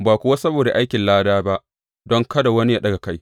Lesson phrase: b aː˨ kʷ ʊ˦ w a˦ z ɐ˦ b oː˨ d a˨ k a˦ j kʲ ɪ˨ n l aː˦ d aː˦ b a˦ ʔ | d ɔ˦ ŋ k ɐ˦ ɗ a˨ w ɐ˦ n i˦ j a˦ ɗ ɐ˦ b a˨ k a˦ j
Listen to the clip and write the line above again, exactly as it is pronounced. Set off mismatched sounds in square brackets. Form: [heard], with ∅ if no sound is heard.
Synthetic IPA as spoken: b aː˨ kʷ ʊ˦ w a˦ [s] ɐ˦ b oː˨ d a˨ [ʔ] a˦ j kʲ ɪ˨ n l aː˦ d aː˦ b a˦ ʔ | d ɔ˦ ŋ k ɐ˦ [d] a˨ w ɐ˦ n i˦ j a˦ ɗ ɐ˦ [ɡ] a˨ k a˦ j